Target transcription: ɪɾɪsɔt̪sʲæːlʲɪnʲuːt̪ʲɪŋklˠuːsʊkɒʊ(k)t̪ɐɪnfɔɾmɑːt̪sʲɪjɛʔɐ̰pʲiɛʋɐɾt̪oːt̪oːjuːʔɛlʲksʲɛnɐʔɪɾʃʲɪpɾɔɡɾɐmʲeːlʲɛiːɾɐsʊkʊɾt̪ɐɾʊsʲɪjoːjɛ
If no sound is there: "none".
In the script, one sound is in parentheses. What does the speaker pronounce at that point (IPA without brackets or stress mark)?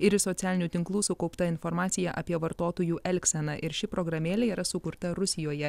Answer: p